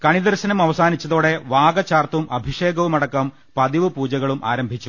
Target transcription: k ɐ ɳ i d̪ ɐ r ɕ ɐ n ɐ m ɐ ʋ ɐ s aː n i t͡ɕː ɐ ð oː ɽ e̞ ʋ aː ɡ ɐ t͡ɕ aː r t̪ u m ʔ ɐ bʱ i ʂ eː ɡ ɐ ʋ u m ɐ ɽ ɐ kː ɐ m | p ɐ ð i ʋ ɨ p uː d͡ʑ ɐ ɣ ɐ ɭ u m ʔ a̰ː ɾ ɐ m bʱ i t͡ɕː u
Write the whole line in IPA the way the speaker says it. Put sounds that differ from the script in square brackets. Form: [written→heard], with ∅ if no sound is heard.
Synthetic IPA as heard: k ɐ ɳ i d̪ ɐ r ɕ ɐ n ɐ m ɐ ʋ ɐ s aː n i t͡ɕː ɐ ð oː ɽ e̞ ʋ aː ɡ ɐ t͡ɕ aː r t̪ u m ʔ ɐ bʱ i ʂ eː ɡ ɐ ʋ u m ɐ ɽ ɐ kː ɐ m | p ɐ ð i ʋ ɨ p uː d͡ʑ ɐ ɣ ɐ ɭ u m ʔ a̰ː ɾ ɐ m bʱ i t͡ɕː u